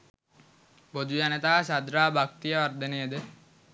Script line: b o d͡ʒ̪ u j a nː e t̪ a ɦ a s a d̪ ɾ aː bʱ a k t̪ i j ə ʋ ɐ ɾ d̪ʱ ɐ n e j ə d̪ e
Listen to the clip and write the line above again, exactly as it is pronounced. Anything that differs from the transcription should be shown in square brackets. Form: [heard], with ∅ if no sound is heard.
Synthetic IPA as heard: b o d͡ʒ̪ u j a [n] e t̪ a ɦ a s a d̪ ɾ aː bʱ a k t̪ i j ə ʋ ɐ ɾ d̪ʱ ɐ n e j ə d̪ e